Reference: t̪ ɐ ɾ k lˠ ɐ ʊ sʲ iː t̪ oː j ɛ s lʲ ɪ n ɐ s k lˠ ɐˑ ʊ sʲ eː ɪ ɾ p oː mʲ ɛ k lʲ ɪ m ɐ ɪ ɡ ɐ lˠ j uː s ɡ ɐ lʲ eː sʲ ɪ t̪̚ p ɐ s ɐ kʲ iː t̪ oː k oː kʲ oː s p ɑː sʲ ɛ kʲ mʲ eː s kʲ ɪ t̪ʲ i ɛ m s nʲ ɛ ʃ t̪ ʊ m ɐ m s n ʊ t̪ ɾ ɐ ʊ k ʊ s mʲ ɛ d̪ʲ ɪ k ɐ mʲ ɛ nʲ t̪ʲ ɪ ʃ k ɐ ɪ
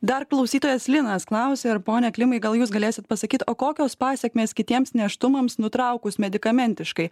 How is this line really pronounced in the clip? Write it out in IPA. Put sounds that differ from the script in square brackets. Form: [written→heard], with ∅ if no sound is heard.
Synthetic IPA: [t̪→d̪] ɐ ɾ k lˠ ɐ ʊ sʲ iː t̪ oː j ɛ s lʲ ɪ n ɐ s k lˠ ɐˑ ʊ sʲ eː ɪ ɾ p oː [mʲ→nʲ] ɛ k lʲ ɪ m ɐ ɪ ɡ ɐ lˠ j uː s ɡ ɐ lʲ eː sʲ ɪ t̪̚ p ɐ s ɐ kʲ iː t̪ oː k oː kʲ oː s p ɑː sʲ ɛ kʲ mʲ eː s kʲ ɪ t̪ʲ i ɛ m s nʲ ɛ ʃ t̪ ʊ m ɐ m s n ʊ t̪ ɾ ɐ ʊ k ʊ s mʲ ɛ d̪ʲ ɪ k ɐ mʲ ɛ nʲ t̪ʲ ɪ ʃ k ɐ ɪ